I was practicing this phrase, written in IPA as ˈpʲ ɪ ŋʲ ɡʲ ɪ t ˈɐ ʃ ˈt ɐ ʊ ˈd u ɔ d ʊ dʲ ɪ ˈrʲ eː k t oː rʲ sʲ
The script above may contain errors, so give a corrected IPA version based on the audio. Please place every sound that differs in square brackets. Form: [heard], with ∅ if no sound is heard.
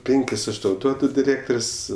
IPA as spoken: ˈpʲ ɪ ŋʲ [kʲ] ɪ [s] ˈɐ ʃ ˈt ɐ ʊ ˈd u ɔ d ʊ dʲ ɪ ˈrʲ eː k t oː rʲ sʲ